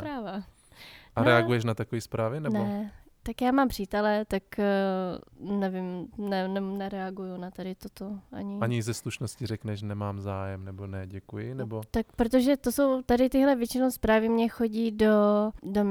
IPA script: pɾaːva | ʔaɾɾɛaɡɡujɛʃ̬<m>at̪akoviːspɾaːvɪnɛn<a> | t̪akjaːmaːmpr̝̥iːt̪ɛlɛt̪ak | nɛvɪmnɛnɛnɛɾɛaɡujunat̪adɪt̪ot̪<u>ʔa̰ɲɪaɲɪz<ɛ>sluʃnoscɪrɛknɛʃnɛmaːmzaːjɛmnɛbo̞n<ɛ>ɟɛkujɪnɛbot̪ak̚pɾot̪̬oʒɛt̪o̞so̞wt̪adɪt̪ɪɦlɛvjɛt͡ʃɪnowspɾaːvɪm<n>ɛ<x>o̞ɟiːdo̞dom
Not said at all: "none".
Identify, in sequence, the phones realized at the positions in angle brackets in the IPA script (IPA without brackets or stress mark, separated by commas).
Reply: n, ɛ, o, ɛ, ɛ, ɲ, x